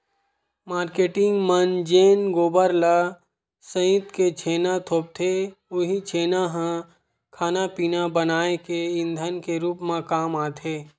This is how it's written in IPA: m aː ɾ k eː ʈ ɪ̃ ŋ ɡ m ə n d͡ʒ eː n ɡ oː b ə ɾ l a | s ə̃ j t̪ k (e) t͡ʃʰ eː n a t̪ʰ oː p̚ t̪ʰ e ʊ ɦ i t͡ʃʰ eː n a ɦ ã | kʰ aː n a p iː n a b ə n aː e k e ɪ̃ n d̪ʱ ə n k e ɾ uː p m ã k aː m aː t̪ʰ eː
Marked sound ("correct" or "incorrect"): correct